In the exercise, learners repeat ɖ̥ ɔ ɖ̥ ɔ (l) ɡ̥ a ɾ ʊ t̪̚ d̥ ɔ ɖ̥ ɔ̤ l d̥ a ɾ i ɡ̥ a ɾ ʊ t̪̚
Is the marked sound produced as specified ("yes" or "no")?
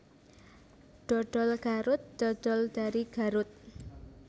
yes